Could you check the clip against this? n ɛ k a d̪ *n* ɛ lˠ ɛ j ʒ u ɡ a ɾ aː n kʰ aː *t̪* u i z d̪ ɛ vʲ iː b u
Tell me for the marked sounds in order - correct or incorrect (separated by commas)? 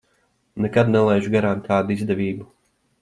correct, incorrect